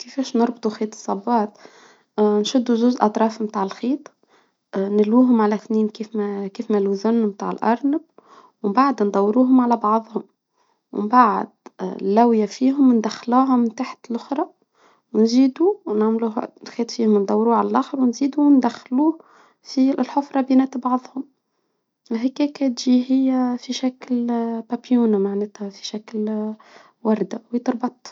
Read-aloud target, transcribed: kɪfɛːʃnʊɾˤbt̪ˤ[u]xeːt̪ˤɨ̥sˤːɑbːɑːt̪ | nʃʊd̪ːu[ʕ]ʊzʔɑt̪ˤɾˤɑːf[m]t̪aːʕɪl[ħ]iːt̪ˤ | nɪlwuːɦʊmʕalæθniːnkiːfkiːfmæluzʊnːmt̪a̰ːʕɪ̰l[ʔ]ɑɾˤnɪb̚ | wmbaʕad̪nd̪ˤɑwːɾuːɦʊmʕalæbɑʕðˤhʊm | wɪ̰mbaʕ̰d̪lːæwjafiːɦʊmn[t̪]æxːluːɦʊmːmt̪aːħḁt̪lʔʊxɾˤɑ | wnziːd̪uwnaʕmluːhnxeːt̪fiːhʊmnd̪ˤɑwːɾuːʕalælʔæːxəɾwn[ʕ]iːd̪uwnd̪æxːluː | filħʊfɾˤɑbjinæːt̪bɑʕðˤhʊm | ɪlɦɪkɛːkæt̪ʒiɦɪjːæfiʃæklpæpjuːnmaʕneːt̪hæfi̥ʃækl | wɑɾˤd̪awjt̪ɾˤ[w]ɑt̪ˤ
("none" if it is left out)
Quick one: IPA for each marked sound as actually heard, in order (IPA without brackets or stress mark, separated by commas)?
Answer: u, ʒ, m, x, ʔ, d̪, z, b